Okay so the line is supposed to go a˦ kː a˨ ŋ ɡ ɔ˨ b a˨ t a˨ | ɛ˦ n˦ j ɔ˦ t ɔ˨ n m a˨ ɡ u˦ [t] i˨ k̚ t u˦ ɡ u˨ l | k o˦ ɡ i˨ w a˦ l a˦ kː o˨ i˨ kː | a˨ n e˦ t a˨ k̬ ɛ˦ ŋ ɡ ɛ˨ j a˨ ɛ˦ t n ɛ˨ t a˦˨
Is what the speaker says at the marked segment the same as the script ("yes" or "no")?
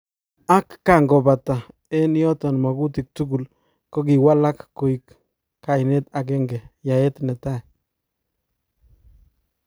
yes